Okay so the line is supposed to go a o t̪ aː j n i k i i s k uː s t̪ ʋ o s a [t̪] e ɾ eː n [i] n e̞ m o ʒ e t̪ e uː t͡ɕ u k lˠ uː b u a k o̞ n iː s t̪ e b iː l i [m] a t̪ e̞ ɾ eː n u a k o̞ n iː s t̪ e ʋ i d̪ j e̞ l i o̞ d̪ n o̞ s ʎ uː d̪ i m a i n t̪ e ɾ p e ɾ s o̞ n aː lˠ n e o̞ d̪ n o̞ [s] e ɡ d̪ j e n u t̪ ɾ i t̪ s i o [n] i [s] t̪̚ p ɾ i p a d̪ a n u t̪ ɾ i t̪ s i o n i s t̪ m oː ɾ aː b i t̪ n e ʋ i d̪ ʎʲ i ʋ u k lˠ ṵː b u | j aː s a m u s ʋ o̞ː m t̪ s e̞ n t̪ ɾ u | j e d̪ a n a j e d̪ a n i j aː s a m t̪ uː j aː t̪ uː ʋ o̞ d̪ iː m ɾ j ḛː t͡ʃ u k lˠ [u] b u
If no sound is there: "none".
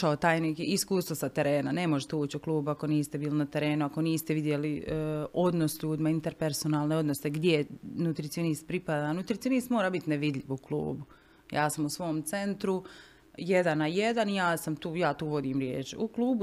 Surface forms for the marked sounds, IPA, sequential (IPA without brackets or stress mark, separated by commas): t̪, a, n, s, n, s, uː